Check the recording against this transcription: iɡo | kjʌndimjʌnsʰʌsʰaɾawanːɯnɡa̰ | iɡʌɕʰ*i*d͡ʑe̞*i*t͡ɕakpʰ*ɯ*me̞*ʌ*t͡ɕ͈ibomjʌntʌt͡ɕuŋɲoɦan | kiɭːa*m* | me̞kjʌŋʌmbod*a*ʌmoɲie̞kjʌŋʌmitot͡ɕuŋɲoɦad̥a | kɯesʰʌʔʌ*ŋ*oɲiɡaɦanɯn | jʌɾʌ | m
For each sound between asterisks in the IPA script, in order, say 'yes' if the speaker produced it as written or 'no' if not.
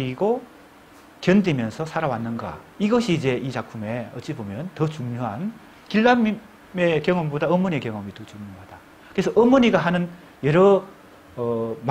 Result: no, yes, no, yes, yes, yes, no

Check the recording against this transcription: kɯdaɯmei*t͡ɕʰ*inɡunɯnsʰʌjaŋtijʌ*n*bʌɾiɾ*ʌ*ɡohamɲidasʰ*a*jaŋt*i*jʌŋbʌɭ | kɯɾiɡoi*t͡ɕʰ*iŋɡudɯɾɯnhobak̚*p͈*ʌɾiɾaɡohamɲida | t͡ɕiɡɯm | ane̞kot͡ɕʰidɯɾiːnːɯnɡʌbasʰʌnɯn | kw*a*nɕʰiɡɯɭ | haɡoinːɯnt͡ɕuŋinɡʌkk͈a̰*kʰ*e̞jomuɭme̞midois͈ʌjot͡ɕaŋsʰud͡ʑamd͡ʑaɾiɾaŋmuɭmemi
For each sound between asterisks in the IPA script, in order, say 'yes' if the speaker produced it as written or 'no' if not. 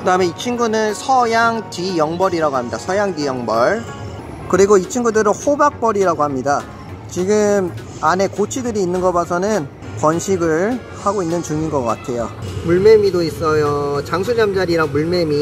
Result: yes, no, no, no, yes, yes, yes, no, no

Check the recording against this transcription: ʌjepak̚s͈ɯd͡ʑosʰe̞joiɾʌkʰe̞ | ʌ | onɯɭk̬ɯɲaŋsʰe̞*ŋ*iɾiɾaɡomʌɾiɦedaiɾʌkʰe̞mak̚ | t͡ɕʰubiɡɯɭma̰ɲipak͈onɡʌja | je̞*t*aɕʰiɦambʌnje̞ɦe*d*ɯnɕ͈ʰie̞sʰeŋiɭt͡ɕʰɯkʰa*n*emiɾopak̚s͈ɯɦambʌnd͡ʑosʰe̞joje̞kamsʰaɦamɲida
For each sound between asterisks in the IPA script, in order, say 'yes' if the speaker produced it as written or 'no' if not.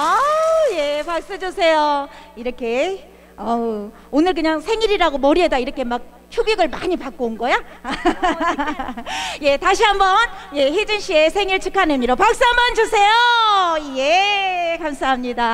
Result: yes, yes, no, yes

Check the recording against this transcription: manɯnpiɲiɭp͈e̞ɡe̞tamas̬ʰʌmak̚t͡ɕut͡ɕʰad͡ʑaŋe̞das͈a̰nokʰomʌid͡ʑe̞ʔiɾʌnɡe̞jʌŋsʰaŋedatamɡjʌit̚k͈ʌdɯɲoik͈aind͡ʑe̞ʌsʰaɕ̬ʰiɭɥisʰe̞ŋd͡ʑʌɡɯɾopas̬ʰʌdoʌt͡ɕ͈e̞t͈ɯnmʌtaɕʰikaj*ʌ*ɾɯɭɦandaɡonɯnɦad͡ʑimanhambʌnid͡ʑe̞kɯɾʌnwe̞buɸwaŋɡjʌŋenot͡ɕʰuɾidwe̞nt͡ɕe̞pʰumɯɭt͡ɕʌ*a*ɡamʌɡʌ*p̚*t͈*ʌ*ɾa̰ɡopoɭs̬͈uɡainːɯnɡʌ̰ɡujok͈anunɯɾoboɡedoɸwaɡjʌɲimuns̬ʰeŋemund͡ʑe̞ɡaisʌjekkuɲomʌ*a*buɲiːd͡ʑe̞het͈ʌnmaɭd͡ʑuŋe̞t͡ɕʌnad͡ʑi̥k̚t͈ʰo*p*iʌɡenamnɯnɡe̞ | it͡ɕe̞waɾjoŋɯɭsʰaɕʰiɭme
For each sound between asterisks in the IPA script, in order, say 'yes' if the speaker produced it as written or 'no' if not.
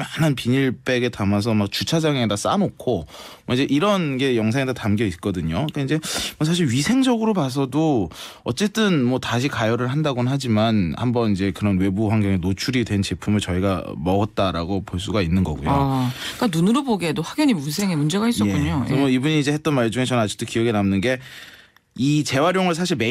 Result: yes, no, no, no, no, no

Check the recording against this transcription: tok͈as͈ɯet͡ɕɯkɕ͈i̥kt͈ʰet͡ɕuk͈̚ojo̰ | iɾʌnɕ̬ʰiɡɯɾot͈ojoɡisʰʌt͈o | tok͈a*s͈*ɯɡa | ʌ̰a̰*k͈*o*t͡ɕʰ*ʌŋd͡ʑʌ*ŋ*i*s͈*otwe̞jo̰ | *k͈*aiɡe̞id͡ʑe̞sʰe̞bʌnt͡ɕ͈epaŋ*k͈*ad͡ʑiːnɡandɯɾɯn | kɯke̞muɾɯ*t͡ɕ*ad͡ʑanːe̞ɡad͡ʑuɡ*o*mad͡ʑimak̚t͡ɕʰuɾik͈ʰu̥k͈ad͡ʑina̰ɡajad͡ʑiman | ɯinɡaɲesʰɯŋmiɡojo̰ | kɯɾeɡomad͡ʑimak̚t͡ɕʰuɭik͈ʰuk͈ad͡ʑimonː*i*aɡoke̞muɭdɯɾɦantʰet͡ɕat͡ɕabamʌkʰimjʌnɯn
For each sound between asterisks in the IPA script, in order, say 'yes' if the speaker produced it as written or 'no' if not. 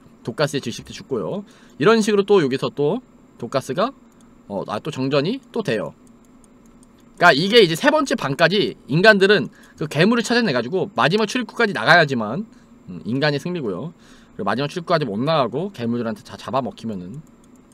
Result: yes, no, no, no, no, yes, yes, no, yes, no

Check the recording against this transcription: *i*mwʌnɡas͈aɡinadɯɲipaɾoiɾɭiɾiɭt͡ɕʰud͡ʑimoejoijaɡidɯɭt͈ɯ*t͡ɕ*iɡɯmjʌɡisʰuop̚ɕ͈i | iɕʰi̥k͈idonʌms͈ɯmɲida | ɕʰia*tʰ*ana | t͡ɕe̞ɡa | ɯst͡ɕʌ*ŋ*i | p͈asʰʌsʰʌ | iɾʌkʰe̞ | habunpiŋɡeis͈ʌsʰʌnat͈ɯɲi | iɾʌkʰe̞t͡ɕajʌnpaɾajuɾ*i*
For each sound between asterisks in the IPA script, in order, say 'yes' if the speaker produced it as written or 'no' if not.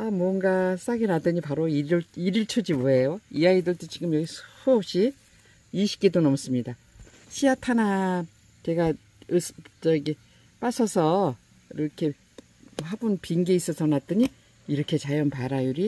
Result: no, yes, yes, no, yes

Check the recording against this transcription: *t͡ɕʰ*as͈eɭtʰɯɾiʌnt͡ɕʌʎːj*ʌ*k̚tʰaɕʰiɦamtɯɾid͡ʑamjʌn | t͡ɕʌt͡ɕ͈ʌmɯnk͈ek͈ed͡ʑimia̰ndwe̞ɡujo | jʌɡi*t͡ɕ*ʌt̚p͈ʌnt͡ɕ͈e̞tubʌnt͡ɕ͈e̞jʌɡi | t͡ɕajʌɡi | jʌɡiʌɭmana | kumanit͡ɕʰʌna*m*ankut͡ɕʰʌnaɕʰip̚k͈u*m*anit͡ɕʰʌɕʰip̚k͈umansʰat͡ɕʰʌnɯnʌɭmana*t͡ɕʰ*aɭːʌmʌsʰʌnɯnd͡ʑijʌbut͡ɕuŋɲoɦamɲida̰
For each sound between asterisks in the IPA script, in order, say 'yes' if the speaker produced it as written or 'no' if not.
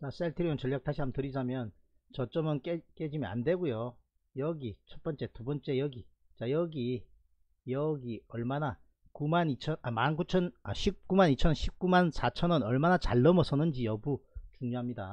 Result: no, no, no, yes, yes, no

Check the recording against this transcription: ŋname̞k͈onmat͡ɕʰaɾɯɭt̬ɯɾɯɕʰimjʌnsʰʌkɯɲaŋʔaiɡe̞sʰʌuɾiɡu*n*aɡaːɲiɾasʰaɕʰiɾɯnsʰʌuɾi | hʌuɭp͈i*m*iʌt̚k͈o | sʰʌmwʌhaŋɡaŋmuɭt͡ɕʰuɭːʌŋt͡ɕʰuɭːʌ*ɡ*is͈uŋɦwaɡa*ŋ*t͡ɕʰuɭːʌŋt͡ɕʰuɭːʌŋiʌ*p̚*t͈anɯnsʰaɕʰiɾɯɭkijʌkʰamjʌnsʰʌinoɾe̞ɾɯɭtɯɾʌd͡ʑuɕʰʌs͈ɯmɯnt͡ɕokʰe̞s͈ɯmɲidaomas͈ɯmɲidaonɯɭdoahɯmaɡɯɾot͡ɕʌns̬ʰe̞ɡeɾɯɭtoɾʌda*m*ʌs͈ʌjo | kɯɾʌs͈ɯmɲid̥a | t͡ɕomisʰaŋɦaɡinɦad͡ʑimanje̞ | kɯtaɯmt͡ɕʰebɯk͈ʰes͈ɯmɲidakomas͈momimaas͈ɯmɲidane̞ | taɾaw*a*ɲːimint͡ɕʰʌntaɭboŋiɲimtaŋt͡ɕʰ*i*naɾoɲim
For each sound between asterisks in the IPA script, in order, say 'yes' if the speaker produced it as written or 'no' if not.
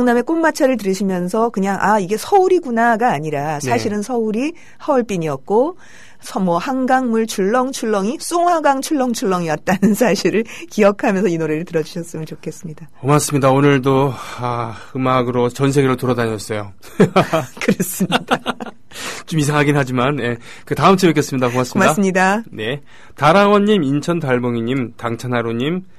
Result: yes, no, no, yes, no, no, no, no

